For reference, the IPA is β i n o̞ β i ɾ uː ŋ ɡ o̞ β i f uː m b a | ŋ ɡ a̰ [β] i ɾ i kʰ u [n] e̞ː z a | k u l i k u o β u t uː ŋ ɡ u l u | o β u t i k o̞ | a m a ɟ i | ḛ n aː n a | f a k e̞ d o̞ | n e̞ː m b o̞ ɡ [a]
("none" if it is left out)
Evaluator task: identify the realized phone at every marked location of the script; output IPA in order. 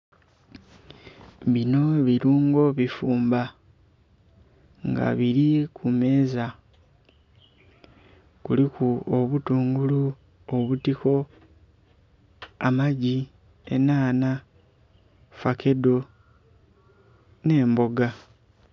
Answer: β, m, a

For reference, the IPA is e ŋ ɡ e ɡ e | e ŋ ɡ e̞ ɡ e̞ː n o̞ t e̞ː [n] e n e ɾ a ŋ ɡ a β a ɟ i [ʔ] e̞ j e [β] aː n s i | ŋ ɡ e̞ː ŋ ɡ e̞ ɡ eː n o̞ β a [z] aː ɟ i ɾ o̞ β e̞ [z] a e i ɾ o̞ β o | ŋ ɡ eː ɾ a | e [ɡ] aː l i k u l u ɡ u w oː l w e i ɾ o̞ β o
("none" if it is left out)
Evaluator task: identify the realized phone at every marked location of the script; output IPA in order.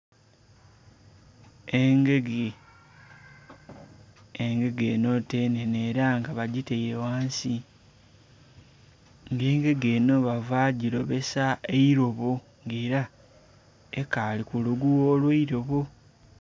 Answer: n, t, w, v, s, k

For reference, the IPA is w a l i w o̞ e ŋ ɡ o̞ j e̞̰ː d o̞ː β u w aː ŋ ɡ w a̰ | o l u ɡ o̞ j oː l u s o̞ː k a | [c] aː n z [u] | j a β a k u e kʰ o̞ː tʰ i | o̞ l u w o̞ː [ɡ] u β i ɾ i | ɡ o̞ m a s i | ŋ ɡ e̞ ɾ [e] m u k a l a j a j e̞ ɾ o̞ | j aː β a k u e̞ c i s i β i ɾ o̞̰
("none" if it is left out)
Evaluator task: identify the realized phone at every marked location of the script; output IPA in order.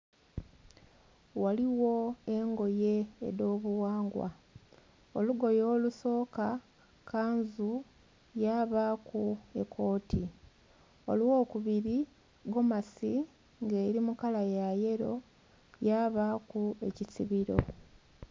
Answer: k, u, k, i

